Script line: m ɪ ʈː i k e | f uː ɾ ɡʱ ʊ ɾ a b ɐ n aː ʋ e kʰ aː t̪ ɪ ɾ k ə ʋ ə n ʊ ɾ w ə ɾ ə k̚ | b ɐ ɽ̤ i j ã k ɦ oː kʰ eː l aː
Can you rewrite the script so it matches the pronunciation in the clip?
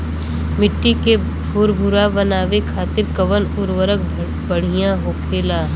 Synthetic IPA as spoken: m ɪ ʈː i k e | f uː ɾ bʱ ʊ ɾ a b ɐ n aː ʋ e kʰ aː t̪ ɪ ɾ k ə ʋ ə n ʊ ɾ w ə ɾ ə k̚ | b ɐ ɽ̤ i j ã ɦ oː kʰ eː l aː